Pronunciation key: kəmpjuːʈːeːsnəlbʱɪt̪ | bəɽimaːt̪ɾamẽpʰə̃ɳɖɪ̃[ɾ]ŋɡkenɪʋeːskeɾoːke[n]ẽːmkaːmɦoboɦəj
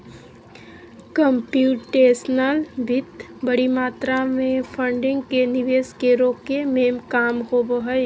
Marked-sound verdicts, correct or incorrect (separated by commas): incorrect, incorrect